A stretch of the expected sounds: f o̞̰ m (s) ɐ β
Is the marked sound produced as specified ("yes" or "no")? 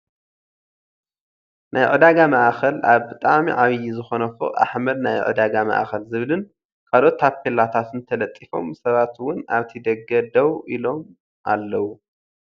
yes